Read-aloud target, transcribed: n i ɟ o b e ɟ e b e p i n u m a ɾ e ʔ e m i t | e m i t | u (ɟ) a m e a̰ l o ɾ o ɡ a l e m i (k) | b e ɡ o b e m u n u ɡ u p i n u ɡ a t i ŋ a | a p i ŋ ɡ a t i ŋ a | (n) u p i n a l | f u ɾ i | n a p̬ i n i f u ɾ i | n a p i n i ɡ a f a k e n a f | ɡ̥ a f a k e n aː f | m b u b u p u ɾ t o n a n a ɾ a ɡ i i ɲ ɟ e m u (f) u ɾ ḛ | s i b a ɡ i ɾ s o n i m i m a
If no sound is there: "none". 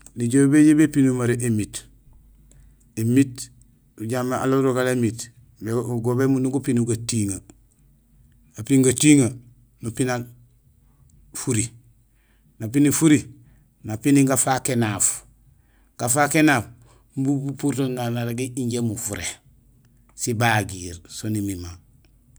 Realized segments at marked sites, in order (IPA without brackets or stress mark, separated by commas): ɟ, t, n, f